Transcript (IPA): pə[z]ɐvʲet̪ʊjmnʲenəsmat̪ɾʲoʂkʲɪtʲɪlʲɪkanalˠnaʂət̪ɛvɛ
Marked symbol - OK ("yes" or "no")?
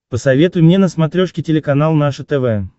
no